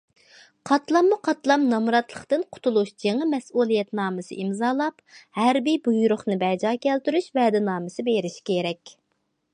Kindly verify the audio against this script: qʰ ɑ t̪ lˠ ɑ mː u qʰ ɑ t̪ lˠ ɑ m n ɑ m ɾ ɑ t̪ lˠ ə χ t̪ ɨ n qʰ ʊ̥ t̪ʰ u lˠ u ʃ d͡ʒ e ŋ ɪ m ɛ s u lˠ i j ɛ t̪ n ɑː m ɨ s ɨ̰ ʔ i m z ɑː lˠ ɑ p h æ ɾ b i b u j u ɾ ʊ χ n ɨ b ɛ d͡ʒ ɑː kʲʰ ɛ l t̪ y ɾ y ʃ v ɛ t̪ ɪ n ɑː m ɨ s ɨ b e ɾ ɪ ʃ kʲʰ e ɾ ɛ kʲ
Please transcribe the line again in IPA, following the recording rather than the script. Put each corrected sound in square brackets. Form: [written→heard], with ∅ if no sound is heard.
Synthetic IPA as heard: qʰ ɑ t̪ lˠ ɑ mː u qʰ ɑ t̪ lˠ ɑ m n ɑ m ɾ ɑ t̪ lˠ ə χ t̪ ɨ n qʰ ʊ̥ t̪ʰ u lˠ u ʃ d͡ʒ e ŋ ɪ m ɛ s u lˠ i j ɛ t̪ n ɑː m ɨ s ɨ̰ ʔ i m z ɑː lˠ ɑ p h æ ɾ b i b u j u ɾ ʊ χ n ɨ b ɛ d͡ʒ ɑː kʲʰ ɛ l t̪ y ɾ y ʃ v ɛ [t̪→d̪] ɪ n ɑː m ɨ s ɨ b e ɾ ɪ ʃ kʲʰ e ɾ ɛ kʲ

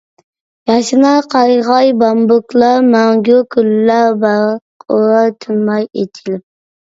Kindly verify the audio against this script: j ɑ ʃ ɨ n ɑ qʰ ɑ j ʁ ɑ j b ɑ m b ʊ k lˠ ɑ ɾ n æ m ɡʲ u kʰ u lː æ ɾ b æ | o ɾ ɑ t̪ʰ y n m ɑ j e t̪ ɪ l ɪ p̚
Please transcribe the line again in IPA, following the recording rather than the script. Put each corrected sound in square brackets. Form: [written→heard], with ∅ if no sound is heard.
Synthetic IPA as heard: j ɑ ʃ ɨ n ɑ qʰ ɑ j ʁ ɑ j b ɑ m b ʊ k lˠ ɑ ɾ [n→m] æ [m→ŋ] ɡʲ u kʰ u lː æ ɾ b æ | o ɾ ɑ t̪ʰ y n m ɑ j e [t̪→t̪ʰ] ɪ l ɪ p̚

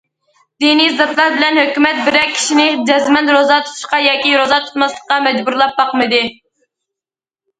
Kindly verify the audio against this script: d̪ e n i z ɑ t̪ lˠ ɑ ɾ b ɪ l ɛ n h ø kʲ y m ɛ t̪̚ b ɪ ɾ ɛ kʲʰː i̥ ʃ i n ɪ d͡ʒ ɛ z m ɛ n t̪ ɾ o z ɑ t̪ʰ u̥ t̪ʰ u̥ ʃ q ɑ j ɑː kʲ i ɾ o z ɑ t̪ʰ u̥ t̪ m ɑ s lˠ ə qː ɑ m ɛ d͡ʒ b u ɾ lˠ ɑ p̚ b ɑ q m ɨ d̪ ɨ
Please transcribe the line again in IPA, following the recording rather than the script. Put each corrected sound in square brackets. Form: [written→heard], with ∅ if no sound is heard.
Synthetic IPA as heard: d̪ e n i z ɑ t̪ lˠ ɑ ɾ b ɪ l ɛ n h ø kʲ y m ɛ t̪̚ b ɪ ɾ ɛ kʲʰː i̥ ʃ i n ɪ d͡ʒ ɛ z m ɛ n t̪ ɾ o z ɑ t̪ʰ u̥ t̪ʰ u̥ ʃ q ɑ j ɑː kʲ i ɾ o z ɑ t̪ʰ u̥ t̪ m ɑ s lˠ ə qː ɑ m ɛ d͡ʒ b u ɾ lˠ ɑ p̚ b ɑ q m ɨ d̪ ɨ

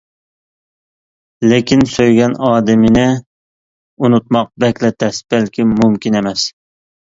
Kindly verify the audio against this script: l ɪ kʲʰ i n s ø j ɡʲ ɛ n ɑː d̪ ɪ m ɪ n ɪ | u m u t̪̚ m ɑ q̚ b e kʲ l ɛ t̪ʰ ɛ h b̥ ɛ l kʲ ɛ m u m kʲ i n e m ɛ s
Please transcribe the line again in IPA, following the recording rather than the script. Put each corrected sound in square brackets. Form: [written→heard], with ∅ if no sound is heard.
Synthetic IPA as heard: l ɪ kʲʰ i n s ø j ɡʲ ɛ n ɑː d̪ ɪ m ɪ n ɪ | u [m→n] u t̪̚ m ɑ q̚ b [e→ɛ] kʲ l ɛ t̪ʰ ɛ [h→s] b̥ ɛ l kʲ [ɛ→i] m u m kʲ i n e m ɛ s

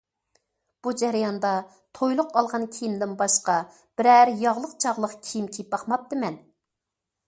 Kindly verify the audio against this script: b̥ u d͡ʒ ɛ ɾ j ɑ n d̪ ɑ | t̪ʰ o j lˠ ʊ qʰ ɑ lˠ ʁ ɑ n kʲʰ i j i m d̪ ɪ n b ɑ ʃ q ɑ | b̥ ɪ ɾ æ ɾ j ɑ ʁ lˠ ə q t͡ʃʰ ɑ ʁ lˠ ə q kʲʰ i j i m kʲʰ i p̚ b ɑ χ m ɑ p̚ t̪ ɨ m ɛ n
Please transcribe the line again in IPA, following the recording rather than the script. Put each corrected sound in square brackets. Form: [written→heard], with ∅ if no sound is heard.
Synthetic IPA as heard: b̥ u d͡ʒ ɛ ɾ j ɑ n d̪ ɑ | t̪ʰ o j lˠ ʊ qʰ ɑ lˠ ʁ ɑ n kʲʰ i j i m d̪ ɪ n b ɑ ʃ q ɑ | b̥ ɪ ɾ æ ɾ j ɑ ʁ lˠ ə q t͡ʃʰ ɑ ʁ lˠ ə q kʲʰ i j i m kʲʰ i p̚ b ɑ χ m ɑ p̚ t̪ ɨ m ɛ n

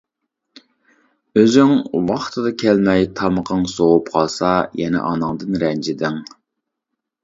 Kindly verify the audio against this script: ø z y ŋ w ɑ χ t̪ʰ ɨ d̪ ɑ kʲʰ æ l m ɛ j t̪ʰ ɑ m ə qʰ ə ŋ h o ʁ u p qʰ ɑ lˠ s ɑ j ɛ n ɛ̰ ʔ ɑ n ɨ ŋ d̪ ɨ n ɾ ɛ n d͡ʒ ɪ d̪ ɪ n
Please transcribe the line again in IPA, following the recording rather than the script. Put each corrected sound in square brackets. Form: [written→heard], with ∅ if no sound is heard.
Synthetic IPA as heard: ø z y ŋ w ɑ χ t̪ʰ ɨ d̪ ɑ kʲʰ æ l m ɛ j t̪ʰ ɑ m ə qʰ ə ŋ [h→s] o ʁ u p qʰ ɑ lˠ s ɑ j ɛ n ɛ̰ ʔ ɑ n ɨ ŋ d̪ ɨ n ɾ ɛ n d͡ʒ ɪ d̪ ɪ [n→ŋ]

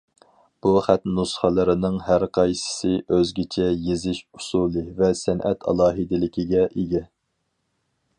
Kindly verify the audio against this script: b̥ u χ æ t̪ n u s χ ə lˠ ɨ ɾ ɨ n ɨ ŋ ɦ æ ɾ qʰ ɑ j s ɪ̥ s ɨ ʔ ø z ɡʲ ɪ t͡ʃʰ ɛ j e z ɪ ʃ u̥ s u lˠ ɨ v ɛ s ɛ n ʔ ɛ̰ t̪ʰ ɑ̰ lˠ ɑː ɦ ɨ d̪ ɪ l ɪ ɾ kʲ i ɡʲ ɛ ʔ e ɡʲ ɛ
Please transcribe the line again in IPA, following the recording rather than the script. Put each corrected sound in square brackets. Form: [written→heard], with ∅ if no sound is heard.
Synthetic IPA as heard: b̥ u χ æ t̪ n u s χ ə lˠ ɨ ɾ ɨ n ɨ ŋ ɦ æ ɾ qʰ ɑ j s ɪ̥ s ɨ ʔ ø z ɡʲ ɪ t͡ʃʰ ɛ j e z ɪ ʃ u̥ s u lˠ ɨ v ɛ s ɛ n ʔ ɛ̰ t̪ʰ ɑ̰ lˠ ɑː ɦ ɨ d̪ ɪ l ɪ [ɾ→∅] kʲ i ɡʲ ɛ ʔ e ɡʲ ɛ

